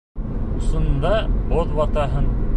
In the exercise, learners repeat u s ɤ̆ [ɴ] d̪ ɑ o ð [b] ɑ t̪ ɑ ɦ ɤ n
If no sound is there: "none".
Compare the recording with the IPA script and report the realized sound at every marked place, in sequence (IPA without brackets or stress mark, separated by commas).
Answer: n, w